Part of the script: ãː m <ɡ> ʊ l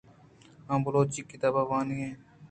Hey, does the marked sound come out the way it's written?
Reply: no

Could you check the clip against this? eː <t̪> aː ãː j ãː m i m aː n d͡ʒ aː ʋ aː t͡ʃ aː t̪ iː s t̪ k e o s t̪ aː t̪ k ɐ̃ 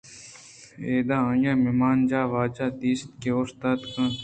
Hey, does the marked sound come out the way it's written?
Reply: no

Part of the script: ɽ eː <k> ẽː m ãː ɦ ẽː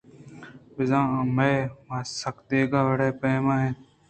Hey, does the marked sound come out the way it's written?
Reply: no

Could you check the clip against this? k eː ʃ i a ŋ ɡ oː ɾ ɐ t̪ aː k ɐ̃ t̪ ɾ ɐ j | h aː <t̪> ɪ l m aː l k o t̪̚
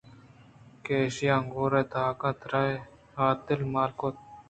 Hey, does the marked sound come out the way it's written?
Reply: yes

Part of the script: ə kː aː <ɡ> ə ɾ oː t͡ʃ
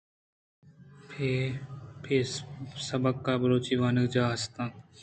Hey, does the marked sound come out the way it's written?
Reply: no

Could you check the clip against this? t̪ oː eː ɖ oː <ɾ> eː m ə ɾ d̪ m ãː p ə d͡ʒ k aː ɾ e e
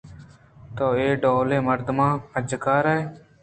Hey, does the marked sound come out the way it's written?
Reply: no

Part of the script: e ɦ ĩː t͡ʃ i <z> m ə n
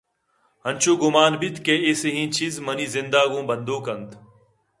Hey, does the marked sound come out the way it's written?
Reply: yes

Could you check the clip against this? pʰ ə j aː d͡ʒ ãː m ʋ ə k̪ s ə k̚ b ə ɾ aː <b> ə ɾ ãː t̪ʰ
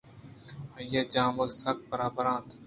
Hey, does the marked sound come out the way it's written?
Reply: yes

